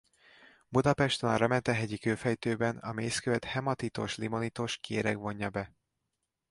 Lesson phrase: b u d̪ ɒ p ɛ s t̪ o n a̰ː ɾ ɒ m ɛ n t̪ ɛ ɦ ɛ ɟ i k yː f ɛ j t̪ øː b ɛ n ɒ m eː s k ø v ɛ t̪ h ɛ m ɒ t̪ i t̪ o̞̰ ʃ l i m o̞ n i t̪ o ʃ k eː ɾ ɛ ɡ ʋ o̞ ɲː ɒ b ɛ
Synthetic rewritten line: b u d̪ ɒ p ɛ ʃ t̪ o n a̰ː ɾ ɒ m ɛ n t̪ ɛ ɦ ɛ ɟ i k øː f ɛ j t̪ øː b ɛ n ɒ m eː s k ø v ɛ t̪ h ɛ m ɒ t̪ i t̪ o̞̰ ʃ l i m o̞ n i t̪ o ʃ k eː ɾ ɛ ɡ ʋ o̞ ɲː ɒ b ɛ